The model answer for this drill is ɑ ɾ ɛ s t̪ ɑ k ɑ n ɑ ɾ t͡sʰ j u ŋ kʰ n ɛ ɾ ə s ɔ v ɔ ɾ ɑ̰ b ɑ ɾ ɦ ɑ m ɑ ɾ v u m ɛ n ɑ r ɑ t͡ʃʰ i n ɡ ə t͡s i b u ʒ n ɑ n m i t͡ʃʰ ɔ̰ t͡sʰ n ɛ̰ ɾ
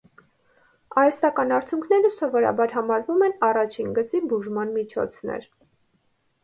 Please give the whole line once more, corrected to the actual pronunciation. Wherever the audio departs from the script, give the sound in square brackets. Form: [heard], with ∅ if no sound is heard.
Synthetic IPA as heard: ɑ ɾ ɛ s t̪ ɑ k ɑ n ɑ ɾ t͡sʰ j u ŋ kʰ n ɛ ɾ ə s ɔ v ɔ ɾ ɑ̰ b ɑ ɾ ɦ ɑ m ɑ ɾ v u m ɛ n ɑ r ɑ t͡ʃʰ i n ɡ ə t͡s i b u ʒ [m] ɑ n m i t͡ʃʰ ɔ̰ t͡sʰ n ɛ̰ ɾ